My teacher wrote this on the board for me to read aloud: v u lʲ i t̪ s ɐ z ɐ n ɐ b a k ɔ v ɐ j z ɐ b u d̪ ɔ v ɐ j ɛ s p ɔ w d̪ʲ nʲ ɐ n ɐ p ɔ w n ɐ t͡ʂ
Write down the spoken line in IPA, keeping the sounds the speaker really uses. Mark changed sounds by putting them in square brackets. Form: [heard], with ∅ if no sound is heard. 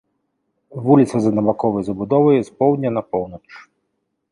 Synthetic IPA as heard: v u lʲ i t̪ s ɐ z ɐ n ɐ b a k ɔ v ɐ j z ɐ b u d̪ ɔ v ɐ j ɛ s p ɔ w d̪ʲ nʲ ɐ n ɐ p ɔ w n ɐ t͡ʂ

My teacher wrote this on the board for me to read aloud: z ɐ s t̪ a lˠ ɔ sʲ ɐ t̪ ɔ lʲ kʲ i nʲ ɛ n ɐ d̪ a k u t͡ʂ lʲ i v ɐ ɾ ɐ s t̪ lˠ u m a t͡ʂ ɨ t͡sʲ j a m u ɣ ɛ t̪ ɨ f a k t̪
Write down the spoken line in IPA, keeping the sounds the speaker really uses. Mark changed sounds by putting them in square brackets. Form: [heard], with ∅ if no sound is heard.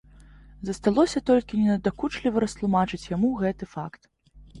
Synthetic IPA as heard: z ɐ s t̪ a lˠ ɔ sʲ ɐ t̪ ɔ lʲ kʲ i nʲ ɛ n ɐ d̪ a k u t͡ʂ lʲ i v ɐ ɾ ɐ s t̪ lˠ u m a t͡ʂ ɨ t͡sʲ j a m u ɣ ɛ t̪ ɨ f a k t̪

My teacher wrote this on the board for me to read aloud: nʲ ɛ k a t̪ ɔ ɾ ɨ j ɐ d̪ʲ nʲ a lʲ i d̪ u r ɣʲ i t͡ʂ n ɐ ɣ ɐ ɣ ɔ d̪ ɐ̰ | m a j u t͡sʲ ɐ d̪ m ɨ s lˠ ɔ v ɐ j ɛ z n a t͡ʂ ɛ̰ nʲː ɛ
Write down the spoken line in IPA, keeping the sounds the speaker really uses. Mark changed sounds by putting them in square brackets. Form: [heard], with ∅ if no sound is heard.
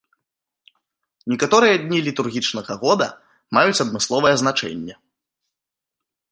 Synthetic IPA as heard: nʲ ɛ k a t̪ ɔ ɾ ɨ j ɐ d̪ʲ nʲ [i] lʲ i [t̪] u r ɣʲ i t͡ʂ n ɐ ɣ ɐ ɣ ɔ d̪ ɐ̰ | m a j u t͡sʲ ɐ d̪ m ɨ s lˠ ɔ v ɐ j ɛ z n a t͡ʂ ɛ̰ nʲː ɛ

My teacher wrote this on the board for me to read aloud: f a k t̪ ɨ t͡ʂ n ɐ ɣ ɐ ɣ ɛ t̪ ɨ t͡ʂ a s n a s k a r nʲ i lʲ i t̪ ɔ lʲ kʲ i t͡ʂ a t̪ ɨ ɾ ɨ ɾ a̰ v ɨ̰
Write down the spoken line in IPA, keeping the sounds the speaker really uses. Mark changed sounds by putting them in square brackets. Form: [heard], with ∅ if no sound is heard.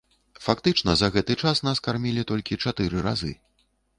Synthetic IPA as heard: f a k t̪ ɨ t͡ʂ n ɐ [z] ɐ ɣ ɛ t̪ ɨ t͡ʂ a s n a s k a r [mʲ] i lʲ i t̪ ɔ lʲ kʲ i t͡ʂ a t̪ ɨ ɾ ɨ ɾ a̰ [z] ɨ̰

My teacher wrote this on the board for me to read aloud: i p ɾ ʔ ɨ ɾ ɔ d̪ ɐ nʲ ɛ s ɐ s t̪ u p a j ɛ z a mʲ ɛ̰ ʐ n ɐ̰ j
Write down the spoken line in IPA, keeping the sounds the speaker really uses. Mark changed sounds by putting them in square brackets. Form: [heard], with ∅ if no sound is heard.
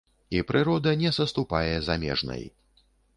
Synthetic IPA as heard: i p ɾ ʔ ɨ ɾ ɔ d̪ ɐ nʲ ɛ s ɐ s t̪ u p a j ɛ z a mʲ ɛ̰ ʐ n ɐ̰ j

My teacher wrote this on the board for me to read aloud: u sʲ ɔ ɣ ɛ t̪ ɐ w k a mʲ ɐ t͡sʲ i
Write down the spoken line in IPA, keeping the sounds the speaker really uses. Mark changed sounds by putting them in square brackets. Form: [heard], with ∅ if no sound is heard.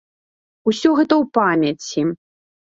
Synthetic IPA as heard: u sʲ ɔ ɣ ɛ t̪ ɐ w [p] a mʲ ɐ t͡sʲ i

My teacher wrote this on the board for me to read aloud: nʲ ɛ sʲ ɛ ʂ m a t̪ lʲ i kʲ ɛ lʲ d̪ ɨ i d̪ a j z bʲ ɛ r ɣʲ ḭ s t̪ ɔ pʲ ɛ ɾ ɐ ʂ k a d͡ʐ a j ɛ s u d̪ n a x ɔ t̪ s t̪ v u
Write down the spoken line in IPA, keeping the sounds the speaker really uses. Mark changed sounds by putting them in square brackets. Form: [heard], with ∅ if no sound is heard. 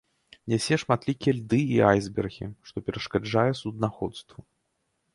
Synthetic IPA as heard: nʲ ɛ sʲ ɛ ʂ m a t̪ lʲ i kʲ ɛ lʲ d̪ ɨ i [∅] a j z bʲ ɛ r ɣʲ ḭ [ʂ] t̪ ɔ pʲ ɛ ɾ ɐ ʂ k a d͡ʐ a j ɛ s u d̪ n a x ɔ t̪ s t̪ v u

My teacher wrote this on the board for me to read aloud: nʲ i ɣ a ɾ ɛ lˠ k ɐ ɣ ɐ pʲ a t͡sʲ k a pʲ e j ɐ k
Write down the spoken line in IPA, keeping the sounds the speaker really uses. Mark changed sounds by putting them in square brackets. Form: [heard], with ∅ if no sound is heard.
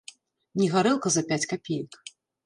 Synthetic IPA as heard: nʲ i ɣ a ɾ ɛ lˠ k ɐ [z] ɐ pʲ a t͡sʲ k a pʲ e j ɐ k

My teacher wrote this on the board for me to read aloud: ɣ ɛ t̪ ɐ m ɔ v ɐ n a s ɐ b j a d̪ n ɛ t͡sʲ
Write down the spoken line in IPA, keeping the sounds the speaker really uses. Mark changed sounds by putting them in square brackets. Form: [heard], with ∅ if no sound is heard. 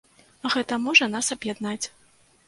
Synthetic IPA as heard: ɣ ɛ t̪ ɐ m ɔ [ʐ] ɐ n a s ɐ b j a d̪ n [a] t͡sʲ

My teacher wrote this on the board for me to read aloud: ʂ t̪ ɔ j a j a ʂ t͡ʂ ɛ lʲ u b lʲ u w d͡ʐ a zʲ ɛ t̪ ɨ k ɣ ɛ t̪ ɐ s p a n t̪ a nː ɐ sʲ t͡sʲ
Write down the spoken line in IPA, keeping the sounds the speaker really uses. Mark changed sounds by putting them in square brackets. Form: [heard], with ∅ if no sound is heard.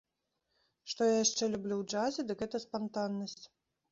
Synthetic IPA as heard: ʂ t̪ ɔ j a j a ʂ t͡ʂ ɛ lʲ u b lʲ u w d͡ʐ a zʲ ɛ [d̪] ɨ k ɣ ɛ t̪ ɐ s p a n t̪ a nː ɐ sʲ t͡sʲ

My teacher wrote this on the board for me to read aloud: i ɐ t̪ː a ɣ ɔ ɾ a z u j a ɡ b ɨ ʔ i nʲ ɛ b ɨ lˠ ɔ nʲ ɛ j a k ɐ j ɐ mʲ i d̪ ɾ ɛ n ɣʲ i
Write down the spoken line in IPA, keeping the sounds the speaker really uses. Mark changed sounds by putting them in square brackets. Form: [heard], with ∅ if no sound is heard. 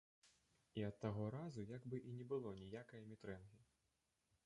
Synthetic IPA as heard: i ɐ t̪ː a ɣ ɔ ɾ a z u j a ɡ b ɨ ʔ i nʲ ɛ b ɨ lˠ ɔ nʲ [i] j a k ɐ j ɐ mʲ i [t̪] ɾ ɛ n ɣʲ i

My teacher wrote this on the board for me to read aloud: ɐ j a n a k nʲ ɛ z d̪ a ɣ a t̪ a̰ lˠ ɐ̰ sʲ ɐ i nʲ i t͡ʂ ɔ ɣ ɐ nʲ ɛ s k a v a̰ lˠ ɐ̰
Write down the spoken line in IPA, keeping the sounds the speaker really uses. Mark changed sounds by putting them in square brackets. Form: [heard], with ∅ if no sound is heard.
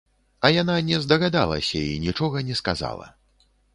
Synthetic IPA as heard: ɐ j a n a [∅] nʲ ɛ z d̪ [ɐ] ɣ a [d̪] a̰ lˠ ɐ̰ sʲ ɐ i nʲ i t͡ʂ ɔ ɣ ɐ nʲ ɛ s k a [z] a̰ lˠ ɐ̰

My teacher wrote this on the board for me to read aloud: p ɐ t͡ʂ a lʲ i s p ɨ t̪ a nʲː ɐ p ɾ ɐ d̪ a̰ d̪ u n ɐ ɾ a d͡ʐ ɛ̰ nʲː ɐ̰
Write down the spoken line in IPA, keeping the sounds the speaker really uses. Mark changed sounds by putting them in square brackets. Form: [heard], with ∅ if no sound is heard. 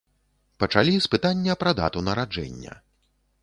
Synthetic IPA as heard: p ɐ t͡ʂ a lʲ i s p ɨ t̪ a nʲː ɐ p ɾ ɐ d̪ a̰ [t̪] u n ɐ ɾ a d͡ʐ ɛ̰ nʲː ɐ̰

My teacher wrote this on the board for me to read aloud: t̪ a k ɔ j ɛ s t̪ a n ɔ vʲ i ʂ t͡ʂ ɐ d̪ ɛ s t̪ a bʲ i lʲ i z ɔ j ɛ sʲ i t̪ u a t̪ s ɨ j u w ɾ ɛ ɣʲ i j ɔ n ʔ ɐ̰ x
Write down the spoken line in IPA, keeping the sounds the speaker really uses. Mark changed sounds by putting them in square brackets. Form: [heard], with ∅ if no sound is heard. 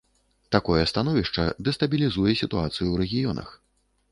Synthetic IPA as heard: t̪ a k ɔ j ɛ s t̪ a n ɔ vʲ i ʂ t͡ʂ ɐ d̪ ɛ s t̪ [ɐ] bʲ i lʲ i z [u] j ɛ sʲ i t̪ u a t̪ s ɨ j u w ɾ ɛ ɣʲ i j ɔ n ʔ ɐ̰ x

